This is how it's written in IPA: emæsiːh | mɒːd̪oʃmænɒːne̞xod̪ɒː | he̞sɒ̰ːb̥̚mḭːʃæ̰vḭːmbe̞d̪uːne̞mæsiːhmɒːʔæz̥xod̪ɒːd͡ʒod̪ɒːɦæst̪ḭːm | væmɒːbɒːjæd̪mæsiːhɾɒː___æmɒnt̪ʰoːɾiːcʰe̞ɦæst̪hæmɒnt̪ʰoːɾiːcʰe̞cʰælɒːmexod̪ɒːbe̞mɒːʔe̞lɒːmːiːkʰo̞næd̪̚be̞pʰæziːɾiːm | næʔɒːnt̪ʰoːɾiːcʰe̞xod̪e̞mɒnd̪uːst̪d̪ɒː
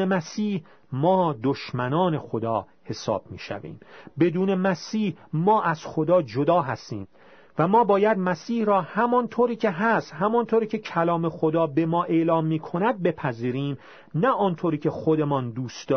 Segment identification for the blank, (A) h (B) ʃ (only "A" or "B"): A